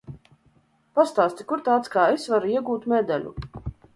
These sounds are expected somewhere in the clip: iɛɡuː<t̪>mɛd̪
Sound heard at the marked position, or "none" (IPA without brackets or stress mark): t̪